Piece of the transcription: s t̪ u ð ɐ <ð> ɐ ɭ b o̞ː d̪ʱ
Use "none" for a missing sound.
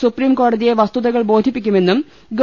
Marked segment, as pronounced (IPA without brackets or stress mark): ɣ